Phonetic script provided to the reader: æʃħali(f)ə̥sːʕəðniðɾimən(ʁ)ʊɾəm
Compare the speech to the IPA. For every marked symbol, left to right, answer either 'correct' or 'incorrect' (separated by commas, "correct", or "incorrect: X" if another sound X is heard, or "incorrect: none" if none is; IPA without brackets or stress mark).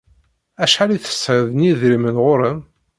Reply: incorrect: θ, correct